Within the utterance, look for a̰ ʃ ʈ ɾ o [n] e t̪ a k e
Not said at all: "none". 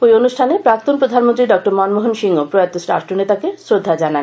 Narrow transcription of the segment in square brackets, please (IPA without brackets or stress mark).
n